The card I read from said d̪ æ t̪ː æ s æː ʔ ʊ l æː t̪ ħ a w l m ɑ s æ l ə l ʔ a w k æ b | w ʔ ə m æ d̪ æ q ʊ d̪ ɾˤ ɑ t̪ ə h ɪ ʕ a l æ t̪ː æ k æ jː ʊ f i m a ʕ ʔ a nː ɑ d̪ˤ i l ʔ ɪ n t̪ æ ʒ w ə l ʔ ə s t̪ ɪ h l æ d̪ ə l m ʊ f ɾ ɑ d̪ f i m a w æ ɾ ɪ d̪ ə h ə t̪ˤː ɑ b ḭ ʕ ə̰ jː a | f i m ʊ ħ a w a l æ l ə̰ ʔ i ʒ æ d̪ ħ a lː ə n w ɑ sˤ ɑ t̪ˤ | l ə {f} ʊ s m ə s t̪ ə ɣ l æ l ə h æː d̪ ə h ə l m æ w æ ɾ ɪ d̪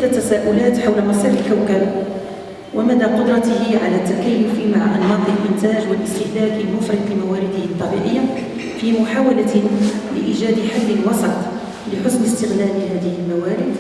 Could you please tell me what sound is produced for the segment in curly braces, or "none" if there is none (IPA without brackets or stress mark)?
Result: ħ